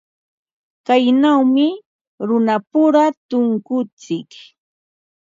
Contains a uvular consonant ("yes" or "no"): no